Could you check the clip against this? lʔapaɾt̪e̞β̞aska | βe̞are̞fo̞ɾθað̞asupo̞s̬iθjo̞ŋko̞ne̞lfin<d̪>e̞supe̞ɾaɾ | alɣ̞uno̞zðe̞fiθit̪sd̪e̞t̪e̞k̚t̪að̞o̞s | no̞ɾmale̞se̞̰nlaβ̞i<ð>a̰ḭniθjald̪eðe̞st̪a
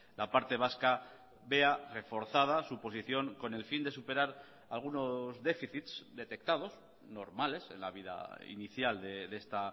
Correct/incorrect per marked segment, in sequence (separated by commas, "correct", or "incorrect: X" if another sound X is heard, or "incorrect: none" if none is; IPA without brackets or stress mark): correct, correct